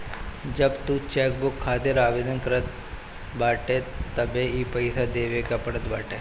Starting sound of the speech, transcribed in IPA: d͡ʒ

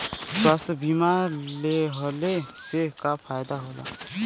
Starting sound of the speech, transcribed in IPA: s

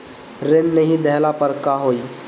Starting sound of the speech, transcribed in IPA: ɾ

